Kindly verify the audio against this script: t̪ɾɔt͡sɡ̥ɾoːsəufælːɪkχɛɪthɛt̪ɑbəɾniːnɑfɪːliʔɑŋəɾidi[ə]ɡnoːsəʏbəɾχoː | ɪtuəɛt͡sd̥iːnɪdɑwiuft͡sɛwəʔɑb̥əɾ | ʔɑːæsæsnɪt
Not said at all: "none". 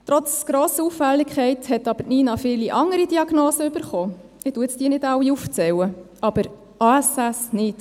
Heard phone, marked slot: ɑ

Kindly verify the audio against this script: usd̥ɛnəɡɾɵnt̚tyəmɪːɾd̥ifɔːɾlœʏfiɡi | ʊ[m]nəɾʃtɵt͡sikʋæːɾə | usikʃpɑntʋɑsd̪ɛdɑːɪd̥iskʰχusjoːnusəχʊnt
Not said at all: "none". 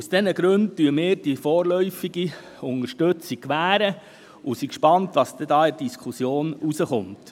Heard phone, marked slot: none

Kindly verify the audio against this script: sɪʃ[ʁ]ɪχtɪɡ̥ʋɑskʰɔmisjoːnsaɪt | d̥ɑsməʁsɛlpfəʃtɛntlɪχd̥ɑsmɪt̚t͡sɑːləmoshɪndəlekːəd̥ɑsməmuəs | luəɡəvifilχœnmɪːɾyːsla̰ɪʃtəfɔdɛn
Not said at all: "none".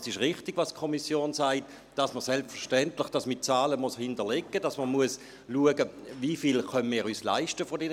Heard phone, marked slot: ʁ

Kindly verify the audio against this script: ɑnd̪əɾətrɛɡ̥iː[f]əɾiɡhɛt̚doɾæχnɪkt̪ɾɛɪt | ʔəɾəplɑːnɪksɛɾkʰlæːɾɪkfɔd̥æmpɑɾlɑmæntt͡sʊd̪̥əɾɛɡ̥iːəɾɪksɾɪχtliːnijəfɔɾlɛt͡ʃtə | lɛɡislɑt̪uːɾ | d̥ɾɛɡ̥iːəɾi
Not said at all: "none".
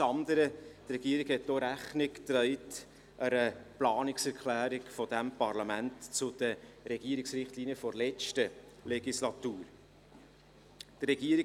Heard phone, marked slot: none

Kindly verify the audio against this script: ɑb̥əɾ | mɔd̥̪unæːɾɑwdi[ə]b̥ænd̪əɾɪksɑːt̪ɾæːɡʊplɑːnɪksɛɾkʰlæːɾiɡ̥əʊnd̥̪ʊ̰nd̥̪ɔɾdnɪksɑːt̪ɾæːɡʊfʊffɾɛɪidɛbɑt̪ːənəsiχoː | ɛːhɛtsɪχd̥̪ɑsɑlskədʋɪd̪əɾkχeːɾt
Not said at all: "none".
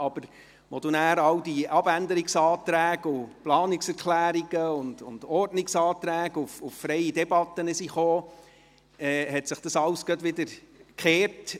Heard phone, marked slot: ɑ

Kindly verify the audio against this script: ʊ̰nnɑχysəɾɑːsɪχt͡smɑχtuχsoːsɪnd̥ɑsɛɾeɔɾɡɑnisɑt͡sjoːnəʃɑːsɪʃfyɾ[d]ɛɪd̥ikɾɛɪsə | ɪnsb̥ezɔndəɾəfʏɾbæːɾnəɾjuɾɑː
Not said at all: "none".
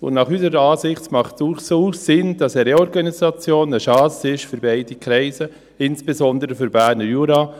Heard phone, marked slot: b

